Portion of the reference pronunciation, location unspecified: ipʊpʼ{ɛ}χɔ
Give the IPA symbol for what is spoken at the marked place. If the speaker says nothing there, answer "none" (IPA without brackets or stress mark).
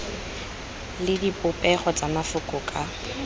ɛ